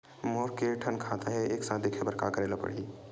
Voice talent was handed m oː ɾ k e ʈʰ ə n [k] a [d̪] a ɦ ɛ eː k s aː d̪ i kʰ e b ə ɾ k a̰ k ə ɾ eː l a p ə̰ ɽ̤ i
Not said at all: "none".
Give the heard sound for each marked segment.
kʰ, t̪

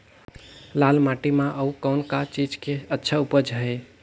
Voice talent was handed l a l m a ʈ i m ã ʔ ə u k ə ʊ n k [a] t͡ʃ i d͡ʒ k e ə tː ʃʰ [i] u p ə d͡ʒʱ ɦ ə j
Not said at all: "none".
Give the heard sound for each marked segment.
a, a

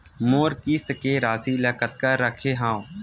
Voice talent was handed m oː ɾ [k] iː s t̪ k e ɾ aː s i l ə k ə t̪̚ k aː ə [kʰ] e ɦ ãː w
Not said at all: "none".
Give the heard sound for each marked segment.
k, kʰ

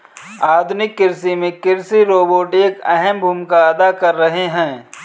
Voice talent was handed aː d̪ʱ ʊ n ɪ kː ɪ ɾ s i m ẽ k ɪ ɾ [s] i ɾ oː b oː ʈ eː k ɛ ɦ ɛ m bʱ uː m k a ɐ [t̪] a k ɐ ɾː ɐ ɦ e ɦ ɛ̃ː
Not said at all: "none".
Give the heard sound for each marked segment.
s, d̪

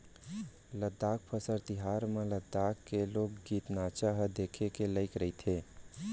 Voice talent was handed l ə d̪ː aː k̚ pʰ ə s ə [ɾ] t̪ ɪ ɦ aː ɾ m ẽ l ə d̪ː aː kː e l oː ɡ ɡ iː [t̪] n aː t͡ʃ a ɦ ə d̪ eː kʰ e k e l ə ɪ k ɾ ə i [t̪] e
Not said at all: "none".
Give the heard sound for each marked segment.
ɾ, t̪, t̪ʰ

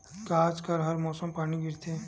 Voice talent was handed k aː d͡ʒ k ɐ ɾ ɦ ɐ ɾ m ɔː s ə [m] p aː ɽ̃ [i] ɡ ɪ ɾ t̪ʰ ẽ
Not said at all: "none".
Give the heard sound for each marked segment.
m, i

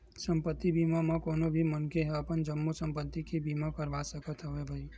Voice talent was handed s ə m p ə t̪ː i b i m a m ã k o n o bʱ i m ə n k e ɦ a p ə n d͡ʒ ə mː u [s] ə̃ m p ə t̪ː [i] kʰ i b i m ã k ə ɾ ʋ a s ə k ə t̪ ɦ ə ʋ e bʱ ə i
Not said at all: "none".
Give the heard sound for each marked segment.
s, i

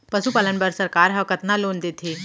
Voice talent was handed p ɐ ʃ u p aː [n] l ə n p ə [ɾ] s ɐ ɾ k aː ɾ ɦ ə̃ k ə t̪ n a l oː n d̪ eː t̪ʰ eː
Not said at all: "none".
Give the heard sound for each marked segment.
none, ɾ

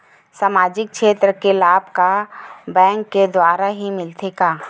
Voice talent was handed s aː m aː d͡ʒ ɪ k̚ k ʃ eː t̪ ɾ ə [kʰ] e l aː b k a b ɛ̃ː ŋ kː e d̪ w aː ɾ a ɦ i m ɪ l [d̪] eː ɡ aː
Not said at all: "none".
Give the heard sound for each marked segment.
k, t̪

